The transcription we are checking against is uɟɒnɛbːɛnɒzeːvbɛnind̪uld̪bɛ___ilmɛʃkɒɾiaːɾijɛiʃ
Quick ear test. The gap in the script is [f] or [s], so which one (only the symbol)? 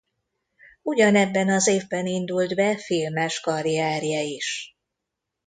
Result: f